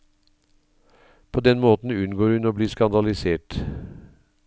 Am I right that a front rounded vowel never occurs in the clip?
yes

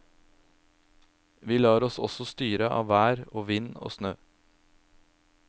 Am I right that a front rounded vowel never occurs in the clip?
no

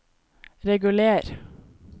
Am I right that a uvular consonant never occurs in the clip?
yes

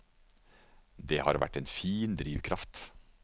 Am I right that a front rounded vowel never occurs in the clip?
yes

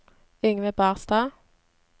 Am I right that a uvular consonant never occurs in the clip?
no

